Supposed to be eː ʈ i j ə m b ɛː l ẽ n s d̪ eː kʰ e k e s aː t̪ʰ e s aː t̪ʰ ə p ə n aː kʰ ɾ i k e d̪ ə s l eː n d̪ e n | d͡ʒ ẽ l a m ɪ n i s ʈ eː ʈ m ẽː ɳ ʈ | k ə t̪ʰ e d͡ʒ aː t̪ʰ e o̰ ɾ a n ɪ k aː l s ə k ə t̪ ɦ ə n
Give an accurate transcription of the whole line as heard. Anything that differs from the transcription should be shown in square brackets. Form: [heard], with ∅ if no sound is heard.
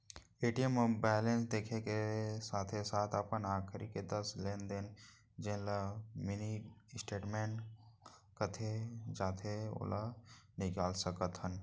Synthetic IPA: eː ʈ i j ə m b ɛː l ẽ n s d̪ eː kʰ e k e s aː t̪ʰ e s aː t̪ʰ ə p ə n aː kʰ ɾ i k e d̪ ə s l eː n d̪ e n | d͡ʒ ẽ l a m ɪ n i s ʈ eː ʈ m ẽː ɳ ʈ | k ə t̪ʰ e d͡ʒ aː t̪ʰ e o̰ [l] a n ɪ k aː l s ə k ə t̪ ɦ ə n